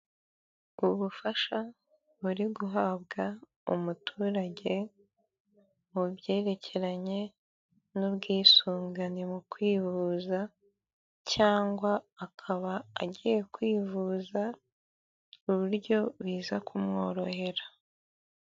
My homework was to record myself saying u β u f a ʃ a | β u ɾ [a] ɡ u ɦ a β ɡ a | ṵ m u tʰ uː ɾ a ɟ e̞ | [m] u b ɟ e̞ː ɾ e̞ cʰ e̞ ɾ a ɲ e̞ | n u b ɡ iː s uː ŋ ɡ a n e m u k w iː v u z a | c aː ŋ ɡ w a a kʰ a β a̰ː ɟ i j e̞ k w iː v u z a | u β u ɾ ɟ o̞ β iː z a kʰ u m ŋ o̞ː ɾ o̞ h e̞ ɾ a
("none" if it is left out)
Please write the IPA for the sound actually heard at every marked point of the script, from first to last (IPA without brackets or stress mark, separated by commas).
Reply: i, m